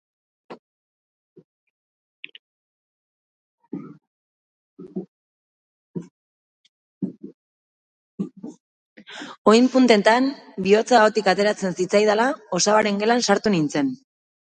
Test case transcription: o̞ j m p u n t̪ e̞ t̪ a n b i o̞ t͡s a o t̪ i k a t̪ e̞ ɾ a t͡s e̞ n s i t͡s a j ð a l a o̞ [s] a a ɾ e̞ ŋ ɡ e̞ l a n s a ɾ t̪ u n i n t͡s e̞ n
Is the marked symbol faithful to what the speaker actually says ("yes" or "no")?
yes